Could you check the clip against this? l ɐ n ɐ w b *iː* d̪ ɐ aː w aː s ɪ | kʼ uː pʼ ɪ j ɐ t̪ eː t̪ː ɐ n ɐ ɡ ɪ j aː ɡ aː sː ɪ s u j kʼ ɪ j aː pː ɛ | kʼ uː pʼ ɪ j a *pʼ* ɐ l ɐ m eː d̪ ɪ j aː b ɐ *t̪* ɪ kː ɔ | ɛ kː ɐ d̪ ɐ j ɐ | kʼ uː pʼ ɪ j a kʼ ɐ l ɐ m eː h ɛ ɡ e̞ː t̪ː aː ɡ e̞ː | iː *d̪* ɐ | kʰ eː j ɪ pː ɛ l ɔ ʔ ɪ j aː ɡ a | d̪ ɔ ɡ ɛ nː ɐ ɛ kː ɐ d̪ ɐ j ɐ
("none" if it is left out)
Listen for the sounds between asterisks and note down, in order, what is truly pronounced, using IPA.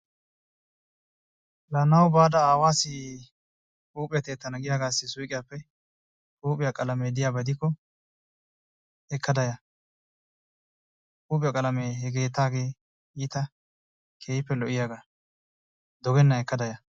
aː, kʼ, d̪, t̪

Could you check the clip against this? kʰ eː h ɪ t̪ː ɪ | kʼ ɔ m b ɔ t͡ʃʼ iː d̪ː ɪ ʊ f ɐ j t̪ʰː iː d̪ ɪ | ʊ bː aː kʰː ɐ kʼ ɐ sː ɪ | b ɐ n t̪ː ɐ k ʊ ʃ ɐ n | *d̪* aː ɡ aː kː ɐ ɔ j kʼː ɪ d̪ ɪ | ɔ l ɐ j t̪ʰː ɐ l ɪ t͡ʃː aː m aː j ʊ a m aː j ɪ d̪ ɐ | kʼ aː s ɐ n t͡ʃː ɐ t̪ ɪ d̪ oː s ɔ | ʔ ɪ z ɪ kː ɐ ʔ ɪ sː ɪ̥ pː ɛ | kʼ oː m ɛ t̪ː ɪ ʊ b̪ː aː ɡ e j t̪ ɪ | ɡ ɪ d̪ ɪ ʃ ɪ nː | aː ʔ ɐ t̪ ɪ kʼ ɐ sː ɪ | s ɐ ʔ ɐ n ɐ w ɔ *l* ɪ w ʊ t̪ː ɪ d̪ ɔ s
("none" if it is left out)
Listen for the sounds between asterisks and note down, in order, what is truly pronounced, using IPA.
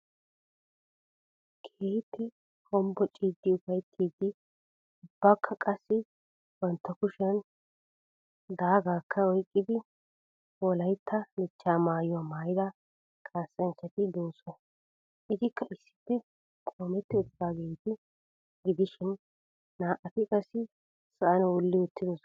d̪, lː

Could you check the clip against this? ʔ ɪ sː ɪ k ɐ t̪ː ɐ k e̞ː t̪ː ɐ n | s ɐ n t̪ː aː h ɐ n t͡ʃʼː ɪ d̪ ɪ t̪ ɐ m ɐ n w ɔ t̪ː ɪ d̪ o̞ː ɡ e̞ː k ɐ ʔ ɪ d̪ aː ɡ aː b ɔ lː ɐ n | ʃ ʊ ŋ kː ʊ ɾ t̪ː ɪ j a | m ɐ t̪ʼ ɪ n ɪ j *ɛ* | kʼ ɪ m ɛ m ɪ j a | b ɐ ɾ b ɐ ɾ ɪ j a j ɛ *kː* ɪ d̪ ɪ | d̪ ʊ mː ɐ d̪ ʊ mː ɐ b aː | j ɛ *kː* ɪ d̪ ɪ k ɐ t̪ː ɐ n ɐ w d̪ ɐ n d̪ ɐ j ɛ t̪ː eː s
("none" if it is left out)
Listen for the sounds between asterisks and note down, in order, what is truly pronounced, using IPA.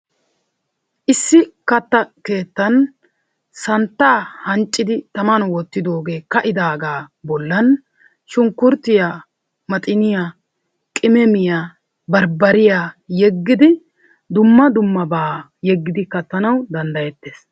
a, ɡː, ɡː

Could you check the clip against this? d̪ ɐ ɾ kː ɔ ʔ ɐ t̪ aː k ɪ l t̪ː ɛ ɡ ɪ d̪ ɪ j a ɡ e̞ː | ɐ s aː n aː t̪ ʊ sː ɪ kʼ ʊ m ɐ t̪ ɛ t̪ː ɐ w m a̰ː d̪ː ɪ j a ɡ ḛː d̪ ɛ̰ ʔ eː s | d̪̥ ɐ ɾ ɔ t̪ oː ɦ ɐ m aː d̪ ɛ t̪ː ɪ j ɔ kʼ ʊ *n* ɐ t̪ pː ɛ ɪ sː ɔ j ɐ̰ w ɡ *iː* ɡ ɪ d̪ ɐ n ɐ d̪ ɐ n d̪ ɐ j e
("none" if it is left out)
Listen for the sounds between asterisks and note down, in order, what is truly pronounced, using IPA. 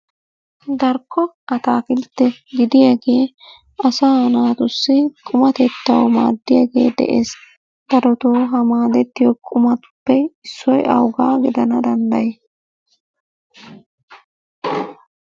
m, aː

